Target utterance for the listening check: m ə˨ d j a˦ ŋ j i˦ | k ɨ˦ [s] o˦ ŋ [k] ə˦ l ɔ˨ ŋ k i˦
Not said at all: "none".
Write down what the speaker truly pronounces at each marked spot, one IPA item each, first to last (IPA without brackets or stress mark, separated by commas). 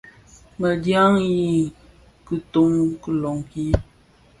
t, k